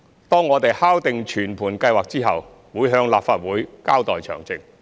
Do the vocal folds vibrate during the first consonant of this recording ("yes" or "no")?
no